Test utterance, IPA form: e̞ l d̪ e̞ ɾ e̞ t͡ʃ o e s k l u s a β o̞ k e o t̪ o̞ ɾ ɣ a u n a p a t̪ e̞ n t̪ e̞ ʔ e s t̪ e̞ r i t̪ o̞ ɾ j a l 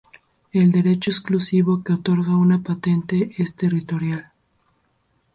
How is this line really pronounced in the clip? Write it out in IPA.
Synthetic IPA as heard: e̞ l d̪ e̞ ɾ e̞ t͡ʃ o e s k l u s i β o̞ k e o t̪ o̞ ɾ ɣ a u n a p a t̪ e̞ n t̪ e̞ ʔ e s t̪ e̞ r i t̪ o̞ ɾ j a l